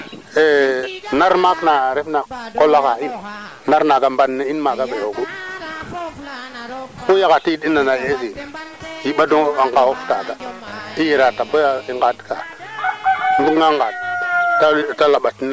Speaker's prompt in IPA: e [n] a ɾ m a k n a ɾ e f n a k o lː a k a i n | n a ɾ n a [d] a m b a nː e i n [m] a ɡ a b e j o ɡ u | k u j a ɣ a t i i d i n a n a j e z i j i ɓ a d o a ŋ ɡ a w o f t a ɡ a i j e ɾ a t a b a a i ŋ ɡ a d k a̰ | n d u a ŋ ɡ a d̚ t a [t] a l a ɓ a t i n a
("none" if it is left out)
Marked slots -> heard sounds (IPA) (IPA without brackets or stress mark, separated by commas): n, ɡ, m, t